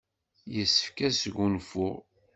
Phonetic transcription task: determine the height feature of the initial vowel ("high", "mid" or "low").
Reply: mid